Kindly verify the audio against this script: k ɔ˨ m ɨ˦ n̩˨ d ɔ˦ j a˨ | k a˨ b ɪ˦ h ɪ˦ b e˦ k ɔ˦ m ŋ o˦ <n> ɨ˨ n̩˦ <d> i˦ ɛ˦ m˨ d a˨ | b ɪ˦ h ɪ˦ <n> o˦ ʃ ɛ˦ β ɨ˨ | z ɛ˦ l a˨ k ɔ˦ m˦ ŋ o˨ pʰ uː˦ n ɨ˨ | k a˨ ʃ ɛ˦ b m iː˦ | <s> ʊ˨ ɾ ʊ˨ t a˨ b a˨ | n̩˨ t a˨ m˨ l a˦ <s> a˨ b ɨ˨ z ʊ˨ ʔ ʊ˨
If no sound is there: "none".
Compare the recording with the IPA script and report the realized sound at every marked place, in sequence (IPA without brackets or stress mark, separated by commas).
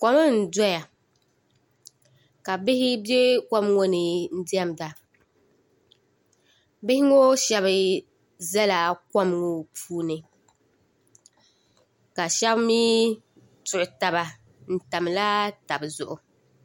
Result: n, d, ŋ, t, t